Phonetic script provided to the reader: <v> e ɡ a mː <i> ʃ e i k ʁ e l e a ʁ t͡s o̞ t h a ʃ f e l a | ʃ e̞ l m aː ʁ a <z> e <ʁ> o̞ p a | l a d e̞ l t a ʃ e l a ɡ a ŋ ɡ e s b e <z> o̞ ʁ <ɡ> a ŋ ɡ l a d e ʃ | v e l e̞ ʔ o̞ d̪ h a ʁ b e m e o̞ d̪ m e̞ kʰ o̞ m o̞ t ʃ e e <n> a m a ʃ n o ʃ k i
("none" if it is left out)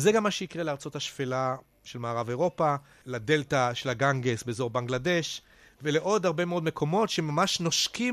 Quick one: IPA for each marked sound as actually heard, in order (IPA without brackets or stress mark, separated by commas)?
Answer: z, a, v, ʁ, z, b, m